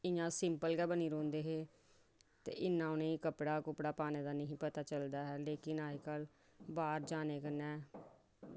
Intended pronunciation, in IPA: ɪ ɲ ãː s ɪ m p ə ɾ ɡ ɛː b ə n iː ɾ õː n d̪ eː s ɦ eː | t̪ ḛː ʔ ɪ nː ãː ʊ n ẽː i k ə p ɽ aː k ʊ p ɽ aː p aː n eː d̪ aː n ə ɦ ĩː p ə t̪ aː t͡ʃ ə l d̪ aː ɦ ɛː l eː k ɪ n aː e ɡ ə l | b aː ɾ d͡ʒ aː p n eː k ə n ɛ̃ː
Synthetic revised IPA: ɪ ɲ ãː s ɪ m p ə l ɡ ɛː b ə n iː ɾ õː n d̪ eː ɦ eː | t̪ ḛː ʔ ɪ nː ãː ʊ n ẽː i k ə p ɽ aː k ʊ p ɽ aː p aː n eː d̪ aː n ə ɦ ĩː p ə t̪ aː t͡ʃ ə l d̪ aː ɦ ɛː l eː k ɪ n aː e k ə l | b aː ɾ d͡ʒ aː n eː k ə n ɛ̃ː

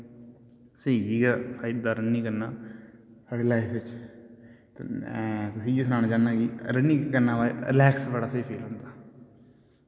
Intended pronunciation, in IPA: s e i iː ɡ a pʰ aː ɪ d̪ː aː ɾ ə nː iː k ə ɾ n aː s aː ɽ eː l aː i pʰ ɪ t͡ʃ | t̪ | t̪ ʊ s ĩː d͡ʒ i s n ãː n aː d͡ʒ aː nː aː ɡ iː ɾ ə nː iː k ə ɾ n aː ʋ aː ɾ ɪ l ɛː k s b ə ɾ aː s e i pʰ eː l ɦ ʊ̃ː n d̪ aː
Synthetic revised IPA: s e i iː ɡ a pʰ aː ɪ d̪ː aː ɾ ə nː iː k ə ɾ n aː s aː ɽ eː l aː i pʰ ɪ t͡ʃ | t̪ | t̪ ʊ s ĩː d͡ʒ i s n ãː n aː d͡ʒ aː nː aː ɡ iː ɾ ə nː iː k ə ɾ n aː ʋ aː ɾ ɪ l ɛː k s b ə ɽ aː s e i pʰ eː l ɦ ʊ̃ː n d̪ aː

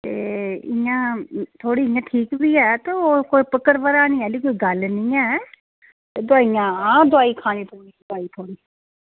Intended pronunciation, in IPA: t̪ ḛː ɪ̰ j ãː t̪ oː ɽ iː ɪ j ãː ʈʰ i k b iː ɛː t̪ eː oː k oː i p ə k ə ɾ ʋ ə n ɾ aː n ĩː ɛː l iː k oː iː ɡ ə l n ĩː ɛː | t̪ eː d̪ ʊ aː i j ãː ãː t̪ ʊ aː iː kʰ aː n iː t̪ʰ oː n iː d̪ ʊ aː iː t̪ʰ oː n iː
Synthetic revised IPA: t̪ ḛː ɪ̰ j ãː t̪ʰ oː ɽ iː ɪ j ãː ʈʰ iː k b iː ɛː t̪ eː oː k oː i p ə k ə ɾ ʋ ə ɾ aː n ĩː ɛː l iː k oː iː ɡ ə l n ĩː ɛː | t̪ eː d̪ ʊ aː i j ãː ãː d̪ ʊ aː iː kʰ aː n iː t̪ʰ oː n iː d̪ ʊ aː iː t̪ʰ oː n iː

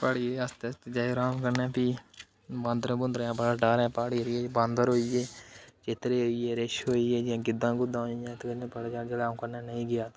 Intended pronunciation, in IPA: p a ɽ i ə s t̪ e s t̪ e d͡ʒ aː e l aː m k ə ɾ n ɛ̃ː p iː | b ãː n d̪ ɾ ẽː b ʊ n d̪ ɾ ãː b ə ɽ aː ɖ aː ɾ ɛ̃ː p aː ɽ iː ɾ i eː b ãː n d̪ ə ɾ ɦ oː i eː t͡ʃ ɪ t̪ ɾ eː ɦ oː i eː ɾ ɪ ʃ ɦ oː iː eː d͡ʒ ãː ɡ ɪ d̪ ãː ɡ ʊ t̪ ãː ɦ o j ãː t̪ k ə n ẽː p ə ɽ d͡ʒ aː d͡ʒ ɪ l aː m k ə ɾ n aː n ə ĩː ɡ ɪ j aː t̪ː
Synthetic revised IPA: p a ɽ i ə s t̪ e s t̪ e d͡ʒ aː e ɾ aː m k ə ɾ n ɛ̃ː p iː | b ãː n d̪ ɾ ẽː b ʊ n d̪ ɾ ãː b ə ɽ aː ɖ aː ɾ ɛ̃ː p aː ɽ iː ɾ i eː b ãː n d̪ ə ɾ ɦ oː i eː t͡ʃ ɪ t̪ ɾ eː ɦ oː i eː ɾ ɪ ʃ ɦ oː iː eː d͡ʒ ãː ɡ ɪ d̪ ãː ɡ ʊ d̪ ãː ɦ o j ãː t̪ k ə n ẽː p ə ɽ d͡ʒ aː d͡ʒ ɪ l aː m k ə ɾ n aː n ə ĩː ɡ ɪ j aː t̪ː

